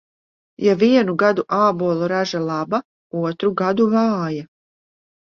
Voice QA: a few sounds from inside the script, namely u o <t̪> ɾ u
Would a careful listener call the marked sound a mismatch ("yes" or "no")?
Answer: no